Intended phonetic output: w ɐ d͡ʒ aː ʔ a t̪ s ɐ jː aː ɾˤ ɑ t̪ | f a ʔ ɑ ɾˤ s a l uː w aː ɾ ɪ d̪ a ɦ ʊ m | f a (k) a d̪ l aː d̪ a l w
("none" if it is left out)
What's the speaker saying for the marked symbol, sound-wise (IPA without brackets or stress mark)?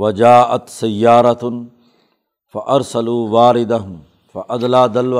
ʔ